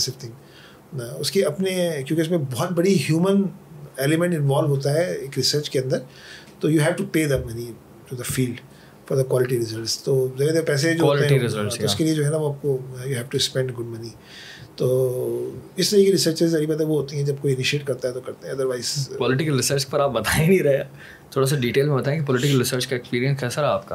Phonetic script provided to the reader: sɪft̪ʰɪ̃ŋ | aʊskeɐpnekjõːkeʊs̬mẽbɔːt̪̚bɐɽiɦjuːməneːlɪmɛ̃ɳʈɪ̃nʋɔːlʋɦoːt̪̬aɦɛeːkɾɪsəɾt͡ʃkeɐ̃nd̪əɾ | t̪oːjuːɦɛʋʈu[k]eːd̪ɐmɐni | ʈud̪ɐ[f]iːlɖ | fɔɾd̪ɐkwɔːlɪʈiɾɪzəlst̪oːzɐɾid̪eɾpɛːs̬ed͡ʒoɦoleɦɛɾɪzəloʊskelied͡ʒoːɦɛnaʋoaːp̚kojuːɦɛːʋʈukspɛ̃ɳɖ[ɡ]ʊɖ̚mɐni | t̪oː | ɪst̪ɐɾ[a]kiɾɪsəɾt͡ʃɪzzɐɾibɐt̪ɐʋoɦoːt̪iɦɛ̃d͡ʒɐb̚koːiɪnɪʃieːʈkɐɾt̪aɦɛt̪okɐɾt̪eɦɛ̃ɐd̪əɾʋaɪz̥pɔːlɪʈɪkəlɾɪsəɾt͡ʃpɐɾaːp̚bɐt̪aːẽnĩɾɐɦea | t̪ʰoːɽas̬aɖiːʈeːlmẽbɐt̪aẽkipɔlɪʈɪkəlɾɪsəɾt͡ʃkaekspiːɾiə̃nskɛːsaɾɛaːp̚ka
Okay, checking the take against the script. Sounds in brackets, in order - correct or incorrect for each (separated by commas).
incorrect, correct, correct, incorrect